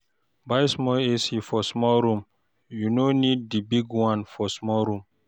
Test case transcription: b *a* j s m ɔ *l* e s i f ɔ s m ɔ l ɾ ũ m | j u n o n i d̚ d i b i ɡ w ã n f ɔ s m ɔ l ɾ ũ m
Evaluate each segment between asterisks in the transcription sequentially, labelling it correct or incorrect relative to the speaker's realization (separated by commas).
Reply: correct, correct